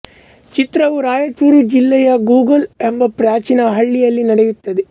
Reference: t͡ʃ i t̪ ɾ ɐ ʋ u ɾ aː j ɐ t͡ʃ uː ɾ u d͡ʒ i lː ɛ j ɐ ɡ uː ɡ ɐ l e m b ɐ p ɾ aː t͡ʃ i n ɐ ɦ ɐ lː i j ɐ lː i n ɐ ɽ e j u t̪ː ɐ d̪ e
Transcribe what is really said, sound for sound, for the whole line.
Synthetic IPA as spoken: t͡ʃ i t̪ ɾ ɐ ʋ u ɾ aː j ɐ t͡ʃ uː ɾ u d͡ʒ i lː ɛ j ɐ ɡ uː ɡ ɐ l e m b ɐ p ɾ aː t͡ʃ i n ɐ ɦ ɐ ɭː i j ɐ lː i n ɐ ɽ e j u t̪ː ɐ d̪ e